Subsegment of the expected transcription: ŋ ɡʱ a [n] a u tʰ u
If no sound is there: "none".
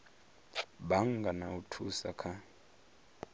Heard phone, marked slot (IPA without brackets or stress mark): n